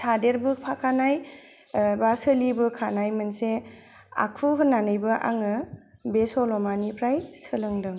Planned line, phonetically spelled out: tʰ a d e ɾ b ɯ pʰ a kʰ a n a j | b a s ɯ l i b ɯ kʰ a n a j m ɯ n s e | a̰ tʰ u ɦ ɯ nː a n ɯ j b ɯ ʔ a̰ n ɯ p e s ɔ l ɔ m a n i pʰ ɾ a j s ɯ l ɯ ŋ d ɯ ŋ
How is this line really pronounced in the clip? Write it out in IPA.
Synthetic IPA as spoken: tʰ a d e ɾ b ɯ pʰ a kʰ a n a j | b a s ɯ l i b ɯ kʰ a n a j m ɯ n s e | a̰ kʰ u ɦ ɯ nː a n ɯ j b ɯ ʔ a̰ ŋ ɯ b e s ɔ l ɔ m a n i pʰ ɾ a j s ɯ l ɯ ŋ d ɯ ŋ